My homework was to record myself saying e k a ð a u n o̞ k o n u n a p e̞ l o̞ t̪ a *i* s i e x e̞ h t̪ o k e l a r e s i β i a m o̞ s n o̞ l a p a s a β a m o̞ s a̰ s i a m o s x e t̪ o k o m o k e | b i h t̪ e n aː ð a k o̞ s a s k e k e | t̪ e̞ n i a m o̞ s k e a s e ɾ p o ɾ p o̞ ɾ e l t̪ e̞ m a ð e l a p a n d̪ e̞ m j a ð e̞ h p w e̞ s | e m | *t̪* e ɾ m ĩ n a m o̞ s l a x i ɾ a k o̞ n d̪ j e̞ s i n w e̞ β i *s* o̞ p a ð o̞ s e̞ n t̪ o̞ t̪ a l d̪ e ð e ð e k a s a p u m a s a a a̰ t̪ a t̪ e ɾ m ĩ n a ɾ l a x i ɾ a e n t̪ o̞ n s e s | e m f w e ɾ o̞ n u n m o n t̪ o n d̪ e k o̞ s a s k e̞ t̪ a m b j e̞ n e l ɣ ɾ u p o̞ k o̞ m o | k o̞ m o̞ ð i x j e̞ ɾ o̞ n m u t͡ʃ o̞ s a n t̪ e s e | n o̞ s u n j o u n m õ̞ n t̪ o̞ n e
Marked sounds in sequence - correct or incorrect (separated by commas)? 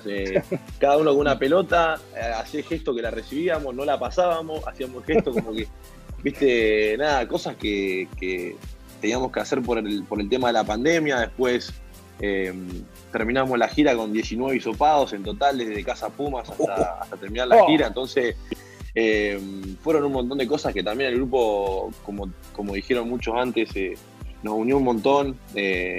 incorrect, correct, correct